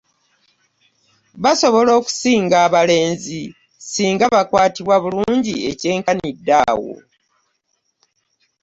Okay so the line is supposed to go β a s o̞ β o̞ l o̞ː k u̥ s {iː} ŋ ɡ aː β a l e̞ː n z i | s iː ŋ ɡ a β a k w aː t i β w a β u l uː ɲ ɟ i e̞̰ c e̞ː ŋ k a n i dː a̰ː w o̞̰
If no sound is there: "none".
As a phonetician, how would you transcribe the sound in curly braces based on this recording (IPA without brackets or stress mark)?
iː